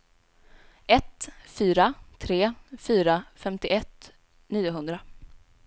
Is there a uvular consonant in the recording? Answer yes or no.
no